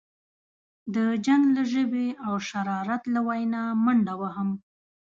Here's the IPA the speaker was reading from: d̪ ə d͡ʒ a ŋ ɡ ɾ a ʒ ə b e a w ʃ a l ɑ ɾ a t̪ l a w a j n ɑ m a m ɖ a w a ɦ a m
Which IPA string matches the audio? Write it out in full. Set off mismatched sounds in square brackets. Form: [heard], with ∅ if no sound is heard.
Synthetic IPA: d̪ ə d͡ʒ a ŋ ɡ [l] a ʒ ə b e a w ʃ a [ɾ] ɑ ɾ a t̪ l a w a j n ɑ m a [ɳ] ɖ a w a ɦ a m